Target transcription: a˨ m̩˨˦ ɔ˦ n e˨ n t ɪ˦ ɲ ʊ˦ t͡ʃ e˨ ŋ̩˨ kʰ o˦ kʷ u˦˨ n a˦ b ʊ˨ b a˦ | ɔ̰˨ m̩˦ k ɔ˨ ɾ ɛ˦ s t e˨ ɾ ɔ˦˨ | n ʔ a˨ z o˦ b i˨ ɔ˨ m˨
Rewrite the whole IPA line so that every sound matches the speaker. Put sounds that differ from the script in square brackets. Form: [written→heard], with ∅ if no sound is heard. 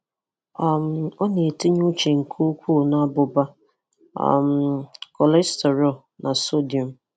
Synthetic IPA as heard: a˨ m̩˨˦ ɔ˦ n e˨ [n→∅] t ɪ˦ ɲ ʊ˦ t͡ʃ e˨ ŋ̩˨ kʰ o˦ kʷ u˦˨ n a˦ b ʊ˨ b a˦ | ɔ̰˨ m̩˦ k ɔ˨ [ɾ→l] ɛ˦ s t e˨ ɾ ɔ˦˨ | n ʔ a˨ [z→s] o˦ [b→d] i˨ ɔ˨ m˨